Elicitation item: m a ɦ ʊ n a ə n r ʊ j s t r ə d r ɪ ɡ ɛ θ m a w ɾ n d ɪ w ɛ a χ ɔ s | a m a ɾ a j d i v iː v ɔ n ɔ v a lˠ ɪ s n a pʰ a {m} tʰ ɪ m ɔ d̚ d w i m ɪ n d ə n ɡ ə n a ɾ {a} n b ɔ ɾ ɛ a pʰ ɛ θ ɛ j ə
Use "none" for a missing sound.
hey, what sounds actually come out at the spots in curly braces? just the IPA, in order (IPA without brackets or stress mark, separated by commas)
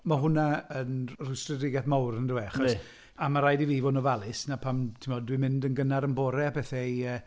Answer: m, ə